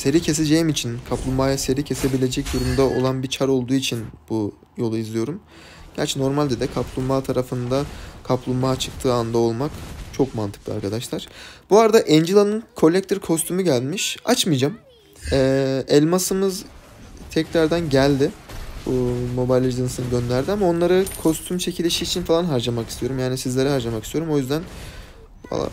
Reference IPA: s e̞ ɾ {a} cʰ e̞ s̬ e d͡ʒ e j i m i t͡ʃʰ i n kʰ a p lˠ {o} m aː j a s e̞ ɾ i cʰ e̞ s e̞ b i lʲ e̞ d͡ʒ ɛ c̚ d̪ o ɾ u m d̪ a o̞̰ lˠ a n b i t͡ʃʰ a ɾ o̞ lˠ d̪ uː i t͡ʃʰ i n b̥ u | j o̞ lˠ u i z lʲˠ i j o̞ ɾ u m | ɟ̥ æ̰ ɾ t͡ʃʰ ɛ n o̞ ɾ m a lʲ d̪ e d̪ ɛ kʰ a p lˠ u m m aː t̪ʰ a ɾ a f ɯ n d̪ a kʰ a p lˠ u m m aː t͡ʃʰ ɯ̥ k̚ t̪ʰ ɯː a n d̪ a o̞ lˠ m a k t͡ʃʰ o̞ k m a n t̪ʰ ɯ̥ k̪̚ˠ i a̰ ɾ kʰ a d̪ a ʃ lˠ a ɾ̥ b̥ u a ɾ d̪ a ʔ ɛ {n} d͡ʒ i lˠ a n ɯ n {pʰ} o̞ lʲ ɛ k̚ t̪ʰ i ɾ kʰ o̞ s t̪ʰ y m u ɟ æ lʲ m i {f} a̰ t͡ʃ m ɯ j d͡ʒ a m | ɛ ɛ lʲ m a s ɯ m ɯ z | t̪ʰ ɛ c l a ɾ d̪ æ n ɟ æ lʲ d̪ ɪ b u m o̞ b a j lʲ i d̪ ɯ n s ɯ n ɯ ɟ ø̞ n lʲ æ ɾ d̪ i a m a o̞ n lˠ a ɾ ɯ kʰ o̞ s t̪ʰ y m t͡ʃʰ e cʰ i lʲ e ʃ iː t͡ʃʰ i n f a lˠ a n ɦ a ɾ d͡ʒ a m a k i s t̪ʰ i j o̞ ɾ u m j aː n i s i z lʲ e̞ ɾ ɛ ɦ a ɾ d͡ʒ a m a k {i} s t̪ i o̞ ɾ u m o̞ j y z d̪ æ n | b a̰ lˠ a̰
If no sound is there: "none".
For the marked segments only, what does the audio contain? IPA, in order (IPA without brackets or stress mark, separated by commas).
i, u, n, kʰ, ʃ, i